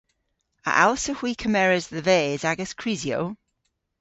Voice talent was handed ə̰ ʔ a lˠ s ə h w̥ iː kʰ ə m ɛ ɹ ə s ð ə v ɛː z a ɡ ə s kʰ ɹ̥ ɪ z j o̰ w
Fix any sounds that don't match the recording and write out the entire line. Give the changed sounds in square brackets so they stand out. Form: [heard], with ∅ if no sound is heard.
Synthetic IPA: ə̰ ʔ a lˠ s ə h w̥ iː kʰ ə m ɛ ɹ ə [z] ð ə v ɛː z a ɡ ə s kʰ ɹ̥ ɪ z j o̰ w